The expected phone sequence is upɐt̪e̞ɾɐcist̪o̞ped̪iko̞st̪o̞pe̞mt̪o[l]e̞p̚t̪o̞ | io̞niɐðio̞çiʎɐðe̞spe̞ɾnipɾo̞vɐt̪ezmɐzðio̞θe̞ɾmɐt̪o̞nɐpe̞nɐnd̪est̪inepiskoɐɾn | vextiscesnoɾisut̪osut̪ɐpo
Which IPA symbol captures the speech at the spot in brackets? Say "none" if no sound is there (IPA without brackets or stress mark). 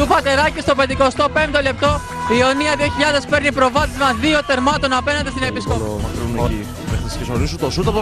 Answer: l